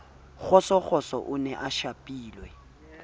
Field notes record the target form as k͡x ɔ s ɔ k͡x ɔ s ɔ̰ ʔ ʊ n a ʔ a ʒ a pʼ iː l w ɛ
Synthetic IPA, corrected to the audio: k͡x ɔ s ɔ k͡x ɔ s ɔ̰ ʔ ʊ n ɛ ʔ a ʃ a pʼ iː l w ɛ